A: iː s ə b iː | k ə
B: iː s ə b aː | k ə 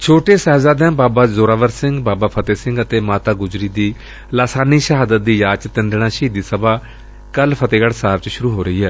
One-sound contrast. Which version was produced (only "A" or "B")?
B